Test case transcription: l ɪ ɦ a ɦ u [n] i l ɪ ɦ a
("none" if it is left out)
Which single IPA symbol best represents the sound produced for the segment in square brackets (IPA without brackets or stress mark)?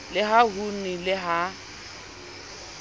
n